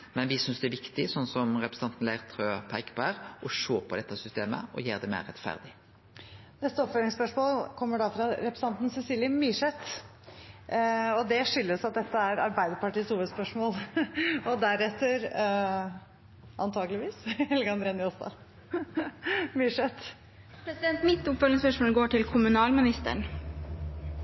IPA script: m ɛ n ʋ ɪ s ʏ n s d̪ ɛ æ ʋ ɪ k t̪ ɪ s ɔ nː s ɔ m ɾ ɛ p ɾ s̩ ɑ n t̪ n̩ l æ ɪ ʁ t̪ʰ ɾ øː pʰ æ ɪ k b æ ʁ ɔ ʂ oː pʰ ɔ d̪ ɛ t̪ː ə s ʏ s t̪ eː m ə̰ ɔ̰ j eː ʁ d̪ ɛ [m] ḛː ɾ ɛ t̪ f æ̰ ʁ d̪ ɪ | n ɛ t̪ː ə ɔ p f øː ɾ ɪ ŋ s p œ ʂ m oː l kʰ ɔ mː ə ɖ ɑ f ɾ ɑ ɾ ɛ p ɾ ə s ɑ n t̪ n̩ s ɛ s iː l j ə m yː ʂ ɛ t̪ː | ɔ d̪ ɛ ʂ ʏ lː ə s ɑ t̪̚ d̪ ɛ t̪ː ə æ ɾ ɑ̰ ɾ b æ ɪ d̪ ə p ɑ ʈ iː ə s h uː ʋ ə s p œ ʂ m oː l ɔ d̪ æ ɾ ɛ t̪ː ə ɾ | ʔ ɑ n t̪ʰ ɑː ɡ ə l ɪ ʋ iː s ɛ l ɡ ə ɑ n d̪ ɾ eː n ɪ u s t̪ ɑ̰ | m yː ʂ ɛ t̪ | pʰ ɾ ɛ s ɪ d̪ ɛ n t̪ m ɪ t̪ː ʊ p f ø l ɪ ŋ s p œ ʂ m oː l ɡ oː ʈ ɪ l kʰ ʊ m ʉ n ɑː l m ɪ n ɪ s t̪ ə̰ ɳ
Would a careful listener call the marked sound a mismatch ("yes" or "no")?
no